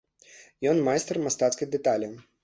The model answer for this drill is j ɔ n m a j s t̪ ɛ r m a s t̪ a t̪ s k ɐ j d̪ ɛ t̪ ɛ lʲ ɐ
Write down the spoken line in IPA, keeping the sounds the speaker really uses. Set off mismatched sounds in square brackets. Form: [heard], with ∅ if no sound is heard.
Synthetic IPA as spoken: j ɔ n m a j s t̪ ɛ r m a s t̪ a t̪ s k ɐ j d̪ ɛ t̪ [a] lʲ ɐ